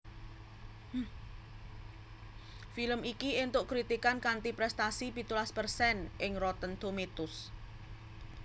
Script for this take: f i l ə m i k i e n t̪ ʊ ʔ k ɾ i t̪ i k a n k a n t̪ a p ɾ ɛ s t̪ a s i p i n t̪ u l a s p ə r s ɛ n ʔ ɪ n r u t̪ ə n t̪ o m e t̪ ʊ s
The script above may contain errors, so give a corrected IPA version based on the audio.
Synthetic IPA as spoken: f i l ə m i k i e n t̪ ʊ ʔ k ɾ i t̪ i k a n k a n t̪ i p ɾ ɛ s t̪ a s i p i t̪ u l a s p ə r s ɛ n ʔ ɪ ŋ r ɔ t̪ ə n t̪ o m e t̪ ʊ s